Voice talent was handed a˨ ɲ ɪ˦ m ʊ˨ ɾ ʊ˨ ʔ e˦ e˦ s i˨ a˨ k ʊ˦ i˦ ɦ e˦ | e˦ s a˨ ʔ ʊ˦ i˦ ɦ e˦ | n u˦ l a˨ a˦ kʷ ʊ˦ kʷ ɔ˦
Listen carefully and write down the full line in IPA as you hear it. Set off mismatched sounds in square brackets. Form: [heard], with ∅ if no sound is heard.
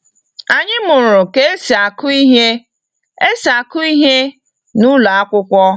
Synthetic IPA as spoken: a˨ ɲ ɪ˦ m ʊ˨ ɾ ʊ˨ [k] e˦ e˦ s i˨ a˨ k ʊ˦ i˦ ɦ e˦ | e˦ s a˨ [k] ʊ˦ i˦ ɦ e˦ | n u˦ l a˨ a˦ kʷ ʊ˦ kʷ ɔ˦